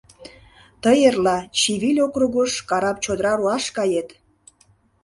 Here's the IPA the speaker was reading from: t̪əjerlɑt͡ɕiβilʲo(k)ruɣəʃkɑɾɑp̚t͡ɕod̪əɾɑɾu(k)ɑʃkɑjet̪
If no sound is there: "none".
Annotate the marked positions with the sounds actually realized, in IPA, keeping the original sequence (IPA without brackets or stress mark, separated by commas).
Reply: k, none